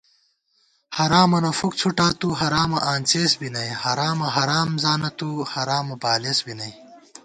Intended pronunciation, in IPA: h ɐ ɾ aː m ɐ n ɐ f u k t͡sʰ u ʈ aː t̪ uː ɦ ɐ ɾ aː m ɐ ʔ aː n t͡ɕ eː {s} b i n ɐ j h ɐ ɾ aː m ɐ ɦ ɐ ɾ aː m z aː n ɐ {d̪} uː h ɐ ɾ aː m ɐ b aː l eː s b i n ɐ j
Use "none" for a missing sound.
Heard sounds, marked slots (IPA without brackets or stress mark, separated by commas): s, t̪